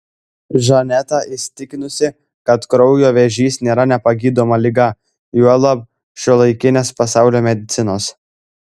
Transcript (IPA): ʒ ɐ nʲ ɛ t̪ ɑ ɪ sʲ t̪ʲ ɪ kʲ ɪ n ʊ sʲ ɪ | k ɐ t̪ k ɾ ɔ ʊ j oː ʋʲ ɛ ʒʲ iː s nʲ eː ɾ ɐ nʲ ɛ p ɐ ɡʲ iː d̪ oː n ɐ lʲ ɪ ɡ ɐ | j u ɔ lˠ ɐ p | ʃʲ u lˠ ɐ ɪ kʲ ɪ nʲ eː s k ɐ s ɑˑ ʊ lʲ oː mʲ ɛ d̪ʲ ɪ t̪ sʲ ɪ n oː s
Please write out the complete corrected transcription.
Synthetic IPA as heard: ʒ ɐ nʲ ɛ t̪ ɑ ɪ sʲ t̪ʲ ɪ kʲ ɪ n ʊ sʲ ɪ | k ɐ t̪ k ɾ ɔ ʊ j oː ʋʲ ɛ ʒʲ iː s nʲ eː ɾ ɐ nʲ ɛ p ɐ ɡʲ iː d̪ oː m ɐ lʲ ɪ ɡ ɐ | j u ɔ lˠ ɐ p | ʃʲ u lˠ ɐ ɪ kʲ ɪ nʲ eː s p ɐ s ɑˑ ʊ lʲ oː mʲ ɛ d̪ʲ ɪ t̪ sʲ ɪ n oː s